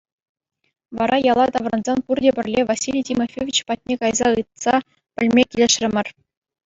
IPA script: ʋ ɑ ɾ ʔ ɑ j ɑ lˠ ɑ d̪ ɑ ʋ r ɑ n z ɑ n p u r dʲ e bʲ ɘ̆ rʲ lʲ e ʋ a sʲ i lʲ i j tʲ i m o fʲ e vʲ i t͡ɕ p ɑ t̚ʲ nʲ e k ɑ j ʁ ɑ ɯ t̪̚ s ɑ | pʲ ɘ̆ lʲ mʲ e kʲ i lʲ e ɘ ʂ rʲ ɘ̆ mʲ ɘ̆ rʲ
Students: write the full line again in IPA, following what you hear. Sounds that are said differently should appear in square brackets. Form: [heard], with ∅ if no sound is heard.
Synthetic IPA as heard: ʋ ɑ ɾ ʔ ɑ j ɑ lˠ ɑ [t̪] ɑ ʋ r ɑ n z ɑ n p u r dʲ e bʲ ɘ̆ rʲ lʲ e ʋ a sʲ i lʲ i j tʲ i m o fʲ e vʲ i t͡ɕ p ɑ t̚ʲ nʲ e k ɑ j [z] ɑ ɯ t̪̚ s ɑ | pʲ ɘ̆ lʲ mʲ e kʲ i lʲ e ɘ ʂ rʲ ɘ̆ mʲ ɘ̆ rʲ